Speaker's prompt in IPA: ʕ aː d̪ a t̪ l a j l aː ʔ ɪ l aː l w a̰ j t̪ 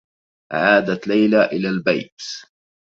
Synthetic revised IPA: ʕ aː d̪ a t̪ l a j l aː ʔ ɪ l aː l b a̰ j t̪